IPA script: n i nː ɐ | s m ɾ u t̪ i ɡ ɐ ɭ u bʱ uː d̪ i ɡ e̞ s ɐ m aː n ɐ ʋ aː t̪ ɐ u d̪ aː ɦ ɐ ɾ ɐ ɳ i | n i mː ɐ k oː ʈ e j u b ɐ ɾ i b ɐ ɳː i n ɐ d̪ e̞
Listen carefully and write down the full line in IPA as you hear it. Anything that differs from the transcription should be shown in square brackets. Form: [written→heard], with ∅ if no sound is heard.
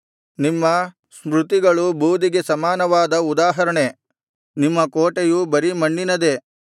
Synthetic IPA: n i [nː→mː] ɐ | s m ɾ u t̪ i ɡ ɐ ɭ u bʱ uː d̪ i ɡ e̞ s ɐ m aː n ɐ ʋ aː [t̪→d̪] ɐ u d̪ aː ɦ ɐ ɾ ɐ ɳ [i→e] | n i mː ɐ k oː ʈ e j u b ɐ ɾ i [b→m] ɐ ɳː i n ɐ d̪ e̞

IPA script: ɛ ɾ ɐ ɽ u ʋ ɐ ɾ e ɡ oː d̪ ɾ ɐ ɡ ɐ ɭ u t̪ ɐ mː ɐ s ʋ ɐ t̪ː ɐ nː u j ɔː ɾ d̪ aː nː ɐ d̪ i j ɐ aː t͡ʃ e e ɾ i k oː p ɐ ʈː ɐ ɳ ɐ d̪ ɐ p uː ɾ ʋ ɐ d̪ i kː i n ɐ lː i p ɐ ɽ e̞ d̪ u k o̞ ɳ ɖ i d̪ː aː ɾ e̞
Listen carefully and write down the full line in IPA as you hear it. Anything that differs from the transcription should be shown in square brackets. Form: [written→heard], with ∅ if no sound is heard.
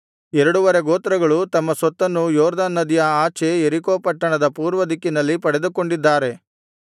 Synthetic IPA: ɛ ɾ ɐ ɽ u ʋ ɐ ɾ e ɡ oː [d̪→t̪] ɾ ɐ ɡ ɐ ɭ u t̪ ɐ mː ɐ s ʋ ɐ t̪ː ɐ nː u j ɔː ɾ d̪ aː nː ɐ d̪ i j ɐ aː t͡ʃ e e ɾ i k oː p ɐ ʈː ɐ ɳ ɐ d̪ ɐ p uː ɾ ʋ ɐ d̪ i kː i n ɐ lː i p ɐ ɽ e̞ d̪ u k o̞ ɳ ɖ i d̪ː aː ɾ e̞

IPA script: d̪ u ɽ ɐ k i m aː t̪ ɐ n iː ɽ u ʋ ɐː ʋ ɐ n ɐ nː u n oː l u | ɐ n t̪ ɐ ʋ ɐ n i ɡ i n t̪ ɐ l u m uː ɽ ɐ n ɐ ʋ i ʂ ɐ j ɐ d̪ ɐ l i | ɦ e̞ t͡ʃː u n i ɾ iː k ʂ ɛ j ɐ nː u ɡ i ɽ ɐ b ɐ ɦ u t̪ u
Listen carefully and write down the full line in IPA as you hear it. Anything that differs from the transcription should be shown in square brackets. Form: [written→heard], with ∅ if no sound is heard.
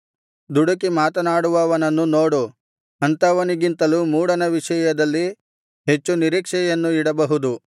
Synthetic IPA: d̪ u ɽ ɐ k i m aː t̪ ɐ n [iː→aː] ɽ u ʋ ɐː ʋ ɐ n ɐ nː u n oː [l→ɽ] u | ɐ n t̪ ɐ ʋ ɐ n i ɡ i n t̪ ɐ l u m uː ɽ ɐ n ɐ ʋ i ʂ ɐ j ɐ d̪ ɐ [l→lː] i | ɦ e̞ t͡ʃː u n i ɾ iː k ʂ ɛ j ɐ nː u [ɡ→∅] i ɽ ɐ b ɐ ɦ u [t̪→d̪] u

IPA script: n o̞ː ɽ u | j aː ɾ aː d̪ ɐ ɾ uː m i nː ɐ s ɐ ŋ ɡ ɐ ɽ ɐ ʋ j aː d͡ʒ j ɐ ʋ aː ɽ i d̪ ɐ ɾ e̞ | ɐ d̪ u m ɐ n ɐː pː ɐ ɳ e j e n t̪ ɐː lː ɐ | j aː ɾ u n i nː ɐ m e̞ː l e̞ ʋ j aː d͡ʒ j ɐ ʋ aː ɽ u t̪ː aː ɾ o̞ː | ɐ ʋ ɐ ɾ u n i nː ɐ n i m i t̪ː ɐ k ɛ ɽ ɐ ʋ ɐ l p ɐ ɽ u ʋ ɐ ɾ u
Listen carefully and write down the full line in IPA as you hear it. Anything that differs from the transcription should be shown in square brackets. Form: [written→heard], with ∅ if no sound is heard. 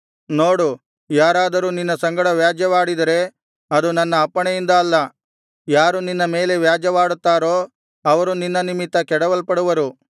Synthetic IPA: n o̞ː ɽ u | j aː ɾ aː d̪ ɐ ɾ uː [m→n] i nː ɐ s ɐ ŋ ɡ ɐ ɽ ɐ ʋ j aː d͡ʒ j ɐ ʋ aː ɽ i d̪ ɐ ɾ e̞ | ɐ d̪ u [m→n] ɐ [n→nː] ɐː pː ɐ ɳ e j [e→i] n [t̪→d̪] ɐː lː ɐ | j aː ɾ u n i nː ɐ m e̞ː l e̞ ʋ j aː d͡ʒ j ɐ ʋ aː ɽ u t̪ː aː ɾ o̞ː | ɐ ʋ ɐ ɾ u n i nː ɐ n i m i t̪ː ɐ k ɛ ɽ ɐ ʋ ɐ l p ɐ ɽ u ʋ ɐ ɾ u

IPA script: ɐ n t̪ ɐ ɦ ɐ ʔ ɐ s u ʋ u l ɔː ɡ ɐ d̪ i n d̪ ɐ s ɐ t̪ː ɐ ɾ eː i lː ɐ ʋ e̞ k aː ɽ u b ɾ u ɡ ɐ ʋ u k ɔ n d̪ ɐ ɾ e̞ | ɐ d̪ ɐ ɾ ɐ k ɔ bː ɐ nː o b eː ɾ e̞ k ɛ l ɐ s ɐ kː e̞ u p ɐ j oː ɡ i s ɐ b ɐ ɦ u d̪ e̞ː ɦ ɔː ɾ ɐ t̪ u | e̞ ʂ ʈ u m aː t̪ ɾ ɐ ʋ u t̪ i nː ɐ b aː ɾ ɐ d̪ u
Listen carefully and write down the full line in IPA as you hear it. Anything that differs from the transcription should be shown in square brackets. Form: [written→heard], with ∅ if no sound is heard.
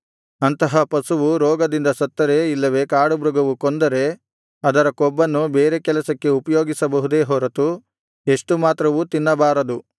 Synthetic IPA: ɐ n t̪ ɐ ɦ ɐ [ʔ→p] ɐ s u ʋ u [l→ɾ] ɔː ɡ ɐ d̪ i n d̪ ɐ s ɐ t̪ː ɐ ɾ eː i lː ɐ ʋ e̞ k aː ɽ u b ɾ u ɡ ɐ ʋ u k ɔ n d̪ ɐ ɾ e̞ | ɐ d̪ ɐ ɾ ɐ k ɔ bː ɐ nː [o→u] b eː ɾ e̞ k ɛ l ɐ s ɐ kː e̞ u p ɐ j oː ɡ i s ɐ b ɐ ɦ u d̪ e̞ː ɦ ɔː ɾ ɐ t̪ u | e̞ ʂ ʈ u m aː t̪ ɾ ɐ ʋ u t̪ i nː ɐ b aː ɾ ɐ d̪ u

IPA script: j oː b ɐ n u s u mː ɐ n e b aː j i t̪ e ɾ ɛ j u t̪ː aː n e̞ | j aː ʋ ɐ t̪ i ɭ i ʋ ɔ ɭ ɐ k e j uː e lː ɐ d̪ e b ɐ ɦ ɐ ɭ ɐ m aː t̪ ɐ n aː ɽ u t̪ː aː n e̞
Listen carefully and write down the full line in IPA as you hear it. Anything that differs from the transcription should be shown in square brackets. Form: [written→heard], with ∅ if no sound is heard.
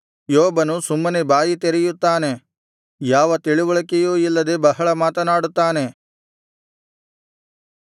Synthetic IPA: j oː b ɐ n u s u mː ɐ n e b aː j i t̪ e ɾ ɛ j u t̪ː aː n e̞ | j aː ʋ ɐ t̪ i ɭ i ʋ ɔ ɭ ɐ k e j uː [e→i] lː ɐ d̪ e b ɐ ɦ ɐ ɭ ɐ m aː t̪ ɐ n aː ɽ u t̪ː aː n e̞

